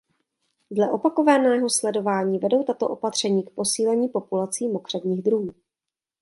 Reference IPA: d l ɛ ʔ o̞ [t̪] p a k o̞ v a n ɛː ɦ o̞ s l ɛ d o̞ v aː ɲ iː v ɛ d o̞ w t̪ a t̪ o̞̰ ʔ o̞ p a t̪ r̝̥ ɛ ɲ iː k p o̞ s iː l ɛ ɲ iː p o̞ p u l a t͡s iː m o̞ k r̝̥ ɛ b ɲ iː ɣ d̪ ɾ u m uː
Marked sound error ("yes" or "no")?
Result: yes